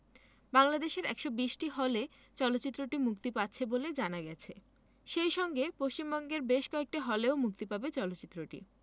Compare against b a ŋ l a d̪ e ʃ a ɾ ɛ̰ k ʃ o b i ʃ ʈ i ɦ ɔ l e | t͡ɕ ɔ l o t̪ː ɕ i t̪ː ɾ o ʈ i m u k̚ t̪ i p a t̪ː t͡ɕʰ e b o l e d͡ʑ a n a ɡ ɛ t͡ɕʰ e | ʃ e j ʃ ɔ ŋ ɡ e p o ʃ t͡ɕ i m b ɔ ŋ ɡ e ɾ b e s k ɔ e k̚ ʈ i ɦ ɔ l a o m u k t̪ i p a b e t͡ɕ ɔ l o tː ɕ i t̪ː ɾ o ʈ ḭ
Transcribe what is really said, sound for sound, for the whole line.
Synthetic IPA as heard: b a ŋ l a d̪ e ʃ e ɾ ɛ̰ k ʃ o b i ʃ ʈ i ɦ ɔ l e | t͡ɕ ɔ l o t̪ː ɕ i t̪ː ɾ o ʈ i m u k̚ t̪ i p a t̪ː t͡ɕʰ e b o l e d͡ʑ a n a ɡ ɛ t͡ɕʰ e | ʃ e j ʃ ɔ ŋ ɡ e p o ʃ t͡ɕ i m b ɔ ŋ ɡ e ɾ b e ʃ k ɔ e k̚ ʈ i ɦ ɔ l e o m u k t̪ i p a b e t͡ɕ ɔ l o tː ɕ i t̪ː ɾ o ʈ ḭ

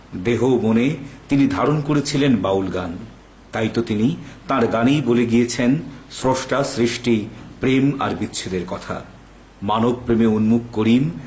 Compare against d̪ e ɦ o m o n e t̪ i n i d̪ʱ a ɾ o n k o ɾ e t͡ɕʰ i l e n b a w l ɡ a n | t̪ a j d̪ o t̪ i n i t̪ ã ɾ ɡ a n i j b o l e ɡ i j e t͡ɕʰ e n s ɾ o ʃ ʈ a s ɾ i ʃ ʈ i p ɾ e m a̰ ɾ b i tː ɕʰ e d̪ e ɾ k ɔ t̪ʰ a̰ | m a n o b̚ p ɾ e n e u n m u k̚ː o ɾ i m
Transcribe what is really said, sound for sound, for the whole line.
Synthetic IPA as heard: d̪ e ɦ o m o n e t̪ i n i d̪ʱ a ɾ o n k o ɾ e t͡ɕʰ i l e n b a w l ɡ a n | t̪ a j t̪ o t̪ i n i t̪ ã ɾ ɡ a n i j b o l e ɡ i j e t͡ɕʰ e n s ɾ o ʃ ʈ a s ɾ i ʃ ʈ i p ɾ e m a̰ ɾ b i tː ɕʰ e d̪ e ɾ k ɔ t̪ʰ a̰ | m a n o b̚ p ɾ e m e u n m u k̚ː o ɾ i m

